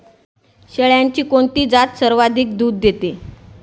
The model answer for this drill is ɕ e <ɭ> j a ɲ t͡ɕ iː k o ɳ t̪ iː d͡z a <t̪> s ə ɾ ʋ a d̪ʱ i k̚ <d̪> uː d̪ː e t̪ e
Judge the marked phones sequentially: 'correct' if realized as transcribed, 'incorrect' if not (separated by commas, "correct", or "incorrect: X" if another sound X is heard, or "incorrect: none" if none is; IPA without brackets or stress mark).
correct, correct, correct